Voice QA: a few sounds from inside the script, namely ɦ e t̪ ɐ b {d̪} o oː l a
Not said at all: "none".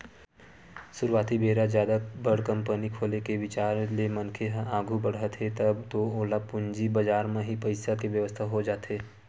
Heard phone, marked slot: t̪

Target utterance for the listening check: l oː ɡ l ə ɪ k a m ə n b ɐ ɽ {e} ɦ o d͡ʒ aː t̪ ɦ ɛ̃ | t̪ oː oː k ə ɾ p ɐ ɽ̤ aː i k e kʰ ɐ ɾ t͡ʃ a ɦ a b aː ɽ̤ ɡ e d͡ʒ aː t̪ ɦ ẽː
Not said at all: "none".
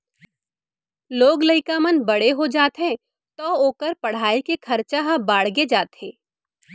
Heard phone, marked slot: e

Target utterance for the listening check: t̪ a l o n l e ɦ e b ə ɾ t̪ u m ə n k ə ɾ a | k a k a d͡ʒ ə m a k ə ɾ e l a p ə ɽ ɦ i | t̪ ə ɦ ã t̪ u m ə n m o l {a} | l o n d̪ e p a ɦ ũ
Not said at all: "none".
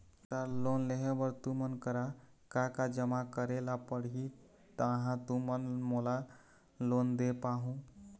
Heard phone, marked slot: a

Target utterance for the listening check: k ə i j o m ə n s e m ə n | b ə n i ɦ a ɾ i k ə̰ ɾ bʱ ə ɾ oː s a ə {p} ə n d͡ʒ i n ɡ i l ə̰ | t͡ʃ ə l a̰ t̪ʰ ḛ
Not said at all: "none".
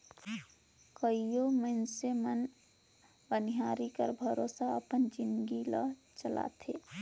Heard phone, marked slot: p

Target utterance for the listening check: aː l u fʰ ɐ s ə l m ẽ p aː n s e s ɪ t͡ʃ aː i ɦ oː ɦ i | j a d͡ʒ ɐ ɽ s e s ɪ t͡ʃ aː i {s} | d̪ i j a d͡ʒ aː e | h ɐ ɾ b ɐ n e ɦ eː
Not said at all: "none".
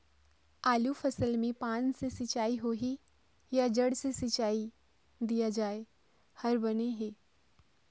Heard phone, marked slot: none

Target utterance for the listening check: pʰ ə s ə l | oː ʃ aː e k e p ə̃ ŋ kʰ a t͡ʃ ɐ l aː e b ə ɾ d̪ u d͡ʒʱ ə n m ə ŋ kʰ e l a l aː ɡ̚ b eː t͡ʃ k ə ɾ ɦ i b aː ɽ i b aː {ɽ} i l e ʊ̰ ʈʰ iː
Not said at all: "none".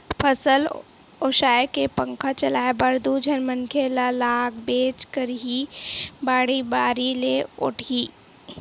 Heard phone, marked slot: ɾ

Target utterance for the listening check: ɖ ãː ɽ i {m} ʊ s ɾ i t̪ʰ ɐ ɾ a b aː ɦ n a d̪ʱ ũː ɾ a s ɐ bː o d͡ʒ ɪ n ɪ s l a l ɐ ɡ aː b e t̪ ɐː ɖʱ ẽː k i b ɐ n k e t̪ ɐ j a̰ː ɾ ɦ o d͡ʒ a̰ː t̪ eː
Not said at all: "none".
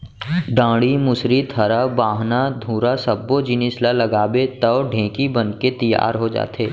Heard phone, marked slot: m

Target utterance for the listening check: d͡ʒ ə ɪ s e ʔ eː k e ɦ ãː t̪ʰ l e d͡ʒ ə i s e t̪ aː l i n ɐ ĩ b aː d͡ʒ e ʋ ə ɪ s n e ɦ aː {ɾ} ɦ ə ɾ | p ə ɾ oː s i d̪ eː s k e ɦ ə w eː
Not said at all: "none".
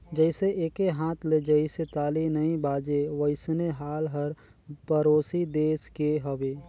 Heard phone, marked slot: l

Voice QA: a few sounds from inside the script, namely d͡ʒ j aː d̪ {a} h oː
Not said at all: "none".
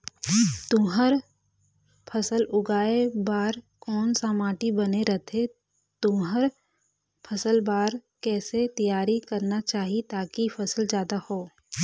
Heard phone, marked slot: a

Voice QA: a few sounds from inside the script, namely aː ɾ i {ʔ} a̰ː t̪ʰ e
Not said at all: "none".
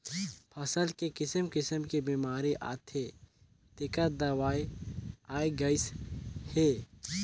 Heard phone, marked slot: ʔ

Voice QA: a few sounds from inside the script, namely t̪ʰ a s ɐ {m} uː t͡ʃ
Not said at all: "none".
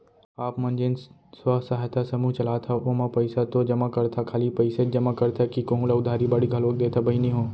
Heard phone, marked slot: m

